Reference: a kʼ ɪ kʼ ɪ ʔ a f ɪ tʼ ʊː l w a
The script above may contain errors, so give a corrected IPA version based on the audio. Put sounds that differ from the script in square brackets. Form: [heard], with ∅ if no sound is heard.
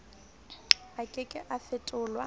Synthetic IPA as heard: a kʼ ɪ kʼ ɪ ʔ a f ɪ tʼ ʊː l w a